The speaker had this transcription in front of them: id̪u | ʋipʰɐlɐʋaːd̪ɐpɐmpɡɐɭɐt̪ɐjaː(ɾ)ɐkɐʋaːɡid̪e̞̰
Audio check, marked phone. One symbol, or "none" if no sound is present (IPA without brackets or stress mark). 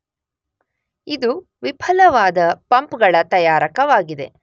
ɾ